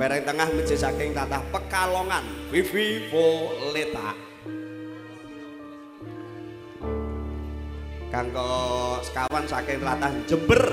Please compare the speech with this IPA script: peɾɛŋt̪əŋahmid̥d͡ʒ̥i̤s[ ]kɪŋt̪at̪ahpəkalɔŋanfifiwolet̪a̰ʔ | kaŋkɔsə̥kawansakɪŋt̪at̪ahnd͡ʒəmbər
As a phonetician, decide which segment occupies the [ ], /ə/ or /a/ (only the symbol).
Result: a